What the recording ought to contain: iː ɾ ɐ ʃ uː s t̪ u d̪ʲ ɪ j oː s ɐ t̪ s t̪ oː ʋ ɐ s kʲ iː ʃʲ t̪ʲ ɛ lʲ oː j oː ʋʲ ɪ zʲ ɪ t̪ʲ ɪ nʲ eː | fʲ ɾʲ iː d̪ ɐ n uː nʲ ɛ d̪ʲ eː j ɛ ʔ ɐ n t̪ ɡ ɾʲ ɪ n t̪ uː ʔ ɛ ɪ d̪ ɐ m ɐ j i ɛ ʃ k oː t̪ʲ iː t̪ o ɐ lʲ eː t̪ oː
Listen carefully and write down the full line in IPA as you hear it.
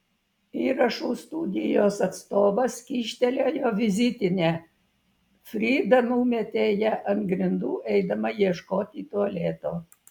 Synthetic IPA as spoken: iː ɾ ɐ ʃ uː s t̪ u d̪ʲ ɪ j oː s ɐ t̪ s t̪ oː ʋ ɐ s kʲ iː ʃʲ t̪ʲ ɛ lʲ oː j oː ʋʲ ɪ zʲ ɪ t̪ʲ ɪ nʲ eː | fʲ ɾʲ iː d̪ ɐ n uː mʲ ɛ t̪ʲ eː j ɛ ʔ ɐ n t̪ ɡ ɾʲ ɪ n d̪ uː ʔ ɛ ɪ d̪ ɐ m ɐ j i ɛ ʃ k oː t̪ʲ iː t̪ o ɐ lʲ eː t̪ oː

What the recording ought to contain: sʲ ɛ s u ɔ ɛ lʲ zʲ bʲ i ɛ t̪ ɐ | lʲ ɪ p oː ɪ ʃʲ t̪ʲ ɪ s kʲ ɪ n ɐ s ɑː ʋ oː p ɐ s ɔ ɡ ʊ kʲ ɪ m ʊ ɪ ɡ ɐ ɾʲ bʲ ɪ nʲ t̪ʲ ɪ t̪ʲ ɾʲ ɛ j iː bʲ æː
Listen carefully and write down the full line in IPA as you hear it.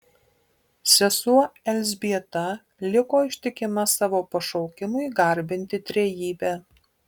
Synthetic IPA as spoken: sʲ ɛ s u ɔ ɛ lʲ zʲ bʲ i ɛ t̪ ɐ | lʲ ɪ k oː ɪ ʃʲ t̪ʲ ɪ kʲ ɪ m ɐ s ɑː ʋ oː p ɐ ʃ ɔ ʊ kʲ ɪ m ʊ ɪ ɡ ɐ ɾʲ bʲ ɪ nʲ t̪ʲ ɪ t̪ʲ ɾʲ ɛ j iː bʲ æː

